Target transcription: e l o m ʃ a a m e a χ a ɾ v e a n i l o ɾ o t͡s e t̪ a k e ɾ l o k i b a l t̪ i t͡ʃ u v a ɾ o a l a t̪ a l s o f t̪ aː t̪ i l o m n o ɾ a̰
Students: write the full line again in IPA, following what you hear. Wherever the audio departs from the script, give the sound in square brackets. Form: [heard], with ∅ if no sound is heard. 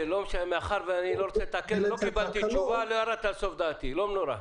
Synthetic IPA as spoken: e l o m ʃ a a m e a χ a ɾ v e a n i l o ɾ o t͡s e t̪ a k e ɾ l o k i b a l t̪ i t͡ʃ u v a [l] o a [ɾ] a t̪ a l s o f [d̪] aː t̪ i l o m n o ɾ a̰